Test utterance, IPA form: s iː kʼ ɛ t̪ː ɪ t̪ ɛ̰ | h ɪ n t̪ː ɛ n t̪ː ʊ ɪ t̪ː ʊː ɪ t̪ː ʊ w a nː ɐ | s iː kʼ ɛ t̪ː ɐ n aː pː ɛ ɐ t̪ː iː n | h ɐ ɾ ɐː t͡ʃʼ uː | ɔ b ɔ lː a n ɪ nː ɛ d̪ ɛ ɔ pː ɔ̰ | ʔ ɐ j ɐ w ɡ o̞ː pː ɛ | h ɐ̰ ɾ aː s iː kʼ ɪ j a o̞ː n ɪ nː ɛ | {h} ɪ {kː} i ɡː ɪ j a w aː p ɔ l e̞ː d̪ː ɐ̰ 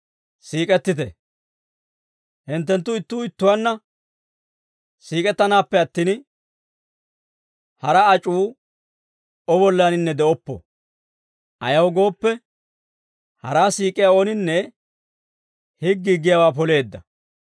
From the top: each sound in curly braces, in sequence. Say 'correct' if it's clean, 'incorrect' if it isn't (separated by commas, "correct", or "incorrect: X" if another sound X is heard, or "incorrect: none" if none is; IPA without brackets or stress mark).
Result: correct, incorrect: ɡː